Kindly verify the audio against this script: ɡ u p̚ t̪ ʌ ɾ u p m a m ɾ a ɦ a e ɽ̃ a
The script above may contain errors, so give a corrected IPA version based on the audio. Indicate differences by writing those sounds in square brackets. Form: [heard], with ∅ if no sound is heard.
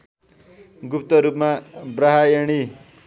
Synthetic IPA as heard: ɡ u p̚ t̪ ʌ ɾ u p m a [b] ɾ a ɦ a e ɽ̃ [i]